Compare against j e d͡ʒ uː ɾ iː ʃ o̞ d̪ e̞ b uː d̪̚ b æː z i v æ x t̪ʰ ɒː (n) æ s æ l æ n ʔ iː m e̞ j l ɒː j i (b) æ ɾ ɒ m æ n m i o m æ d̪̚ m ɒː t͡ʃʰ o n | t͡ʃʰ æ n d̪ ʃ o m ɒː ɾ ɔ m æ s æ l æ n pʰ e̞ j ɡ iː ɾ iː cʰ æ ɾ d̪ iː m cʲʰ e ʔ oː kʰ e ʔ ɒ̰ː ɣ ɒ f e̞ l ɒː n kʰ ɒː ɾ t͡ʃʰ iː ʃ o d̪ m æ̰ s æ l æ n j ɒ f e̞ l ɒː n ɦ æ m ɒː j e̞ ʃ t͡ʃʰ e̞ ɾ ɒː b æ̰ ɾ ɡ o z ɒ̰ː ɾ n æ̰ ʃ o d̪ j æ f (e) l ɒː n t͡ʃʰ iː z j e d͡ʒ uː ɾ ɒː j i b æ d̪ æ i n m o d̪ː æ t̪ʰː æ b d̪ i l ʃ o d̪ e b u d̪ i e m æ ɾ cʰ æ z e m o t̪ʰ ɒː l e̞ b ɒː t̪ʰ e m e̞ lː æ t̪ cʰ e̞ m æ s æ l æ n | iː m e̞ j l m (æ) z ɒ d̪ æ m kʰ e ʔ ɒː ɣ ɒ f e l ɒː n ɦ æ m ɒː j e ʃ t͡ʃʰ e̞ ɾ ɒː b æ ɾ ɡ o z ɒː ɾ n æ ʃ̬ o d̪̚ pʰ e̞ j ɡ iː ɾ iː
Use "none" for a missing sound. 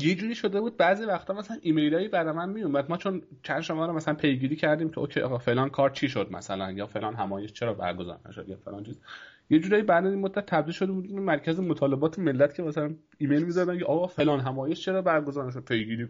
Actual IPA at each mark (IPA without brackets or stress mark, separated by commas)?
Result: m, b, e, i